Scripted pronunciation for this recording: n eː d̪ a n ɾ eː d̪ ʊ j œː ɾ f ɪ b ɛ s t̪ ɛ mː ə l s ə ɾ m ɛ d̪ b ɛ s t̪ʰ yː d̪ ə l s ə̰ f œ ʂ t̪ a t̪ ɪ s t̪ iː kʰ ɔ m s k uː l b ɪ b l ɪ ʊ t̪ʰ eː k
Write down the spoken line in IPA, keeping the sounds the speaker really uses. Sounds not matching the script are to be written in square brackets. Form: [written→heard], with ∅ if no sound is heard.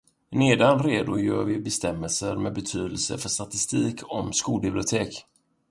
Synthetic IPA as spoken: n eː d̪ a n ɾ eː d̪ ʊ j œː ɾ [f→v] ɪ b ɛ s t̪ ɛ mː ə l s ə ɾ m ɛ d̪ b ɛ [s→∅] t̪ʰ yː d̪ ə l s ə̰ f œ ʂ t̪ a t̪ ɪ s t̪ iː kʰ ɔ m s k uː l b ɪ b l ɪ ʊ t̪ʰ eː k